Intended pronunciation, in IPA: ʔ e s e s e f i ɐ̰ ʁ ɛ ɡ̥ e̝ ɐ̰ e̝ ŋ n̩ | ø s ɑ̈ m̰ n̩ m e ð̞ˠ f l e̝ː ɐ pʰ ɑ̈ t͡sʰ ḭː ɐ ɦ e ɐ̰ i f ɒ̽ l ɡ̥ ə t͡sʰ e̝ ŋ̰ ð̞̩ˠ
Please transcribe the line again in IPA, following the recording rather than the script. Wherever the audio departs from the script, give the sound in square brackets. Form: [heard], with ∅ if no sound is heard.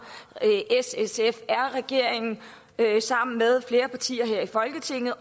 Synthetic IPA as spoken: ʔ e s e s e f [æ] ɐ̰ ʁ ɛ ɡ̥ e̝ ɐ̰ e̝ ŋ n̩ | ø s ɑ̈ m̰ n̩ m e ð̞ˠ f l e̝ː ɐ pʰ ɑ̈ t͡sʰ ḭː ɐ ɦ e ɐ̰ i f ɒ̽ l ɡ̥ ə t͡sʰ e̝ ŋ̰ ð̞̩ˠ